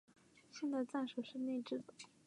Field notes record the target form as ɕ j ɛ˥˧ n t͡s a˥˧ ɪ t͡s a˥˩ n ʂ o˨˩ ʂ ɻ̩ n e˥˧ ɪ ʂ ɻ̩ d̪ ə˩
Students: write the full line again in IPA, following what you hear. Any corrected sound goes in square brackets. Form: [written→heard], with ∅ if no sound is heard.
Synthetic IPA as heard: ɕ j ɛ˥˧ n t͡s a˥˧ ɪ t͡s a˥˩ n ʂ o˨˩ ʂ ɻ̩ n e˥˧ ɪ [ʂ→ʈ͡ʂ] ɻ̩ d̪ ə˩